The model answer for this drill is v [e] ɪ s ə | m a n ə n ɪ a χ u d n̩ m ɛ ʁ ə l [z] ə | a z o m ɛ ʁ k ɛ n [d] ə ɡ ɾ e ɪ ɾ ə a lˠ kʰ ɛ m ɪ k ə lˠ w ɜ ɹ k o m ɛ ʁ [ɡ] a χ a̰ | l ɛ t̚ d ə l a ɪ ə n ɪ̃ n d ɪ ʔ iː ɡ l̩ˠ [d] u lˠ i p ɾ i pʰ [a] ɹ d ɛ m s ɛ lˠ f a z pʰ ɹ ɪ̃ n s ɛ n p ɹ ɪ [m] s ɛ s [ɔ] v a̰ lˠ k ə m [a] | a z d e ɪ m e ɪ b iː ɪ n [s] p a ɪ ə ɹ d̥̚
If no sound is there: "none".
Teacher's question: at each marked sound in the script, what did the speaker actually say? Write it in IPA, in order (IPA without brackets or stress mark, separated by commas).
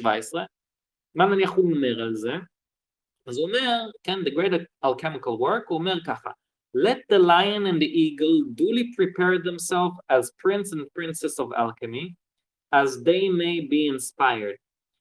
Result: a, z, d, k, d, ɛ, n, ɔ, i, s